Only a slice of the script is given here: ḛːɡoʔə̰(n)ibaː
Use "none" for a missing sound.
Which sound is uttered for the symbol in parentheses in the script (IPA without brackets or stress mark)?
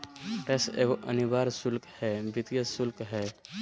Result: n